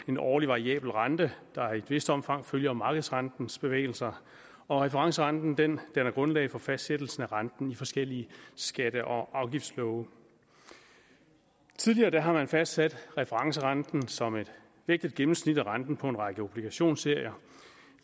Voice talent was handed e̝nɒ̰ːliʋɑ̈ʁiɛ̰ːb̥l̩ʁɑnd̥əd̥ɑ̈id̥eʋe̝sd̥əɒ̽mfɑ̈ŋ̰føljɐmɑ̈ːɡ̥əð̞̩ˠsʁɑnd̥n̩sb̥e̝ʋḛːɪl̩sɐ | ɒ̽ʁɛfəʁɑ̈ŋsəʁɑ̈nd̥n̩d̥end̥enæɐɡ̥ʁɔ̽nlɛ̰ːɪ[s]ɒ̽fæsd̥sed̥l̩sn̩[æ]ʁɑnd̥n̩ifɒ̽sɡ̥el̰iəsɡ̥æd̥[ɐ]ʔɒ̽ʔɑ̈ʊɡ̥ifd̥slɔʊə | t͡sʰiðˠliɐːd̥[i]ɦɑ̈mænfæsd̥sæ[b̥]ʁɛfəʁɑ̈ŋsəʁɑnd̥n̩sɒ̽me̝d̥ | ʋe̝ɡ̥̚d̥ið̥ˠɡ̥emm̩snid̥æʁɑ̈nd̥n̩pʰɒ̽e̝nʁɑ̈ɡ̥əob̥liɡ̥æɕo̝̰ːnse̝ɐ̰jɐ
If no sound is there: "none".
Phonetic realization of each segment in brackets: f, æ, ə, æ, d̥

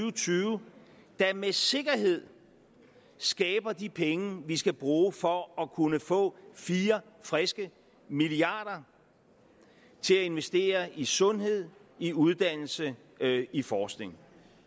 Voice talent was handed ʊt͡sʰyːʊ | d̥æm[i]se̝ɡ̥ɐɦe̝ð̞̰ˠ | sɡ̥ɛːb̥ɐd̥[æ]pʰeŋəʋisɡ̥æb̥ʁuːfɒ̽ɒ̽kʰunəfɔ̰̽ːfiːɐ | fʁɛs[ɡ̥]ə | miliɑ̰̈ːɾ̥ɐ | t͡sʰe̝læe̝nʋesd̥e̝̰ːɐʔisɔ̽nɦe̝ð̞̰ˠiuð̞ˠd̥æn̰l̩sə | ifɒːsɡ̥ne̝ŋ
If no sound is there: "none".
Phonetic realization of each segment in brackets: e, i, ɡ̥

